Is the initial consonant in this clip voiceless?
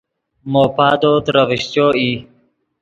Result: no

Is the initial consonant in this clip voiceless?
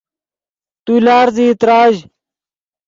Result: yes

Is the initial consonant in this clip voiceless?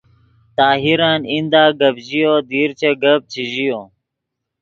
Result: yes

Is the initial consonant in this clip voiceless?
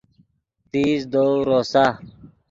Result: yes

